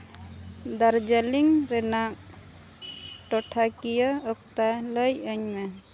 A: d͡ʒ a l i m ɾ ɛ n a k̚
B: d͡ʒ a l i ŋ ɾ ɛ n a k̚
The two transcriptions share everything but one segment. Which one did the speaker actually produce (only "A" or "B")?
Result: B